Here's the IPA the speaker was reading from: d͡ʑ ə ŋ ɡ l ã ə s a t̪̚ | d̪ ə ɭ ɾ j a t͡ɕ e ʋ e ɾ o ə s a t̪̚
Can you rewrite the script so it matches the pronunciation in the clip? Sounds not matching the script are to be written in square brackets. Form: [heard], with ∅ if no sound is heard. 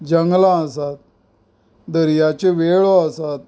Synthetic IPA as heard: d͡ʑ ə ŋ ɡ l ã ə s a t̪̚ | d̪ ə [∅] ɾ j a t͡ɕ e ʋ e [ɭ] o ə s a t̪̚